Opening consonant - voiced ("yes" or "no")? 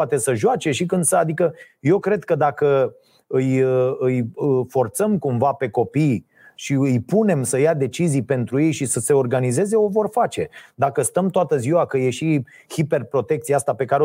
no